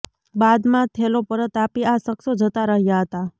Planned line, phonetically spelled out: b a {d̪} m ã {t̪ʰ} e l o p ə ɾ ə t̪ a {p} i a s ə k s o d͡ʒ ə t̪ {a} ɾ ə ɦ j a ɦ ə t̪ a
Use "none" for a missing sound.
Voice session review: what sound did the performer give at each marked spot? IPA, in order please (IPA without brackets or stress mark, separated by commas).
d̪, t̪ʰ, p, a